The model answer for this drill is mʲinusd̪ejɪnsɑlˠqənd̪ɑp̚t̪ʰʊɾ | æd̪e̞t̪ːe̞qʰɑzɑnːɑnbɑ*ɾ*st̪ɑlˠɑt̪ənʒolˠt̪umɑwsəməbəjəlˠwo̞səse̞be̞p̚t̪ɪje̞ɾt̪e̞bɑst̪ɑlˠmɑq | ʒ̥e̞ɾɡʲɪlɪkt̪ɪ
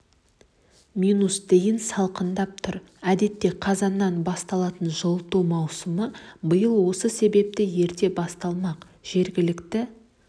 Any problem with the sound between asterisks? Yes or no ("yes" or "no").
yes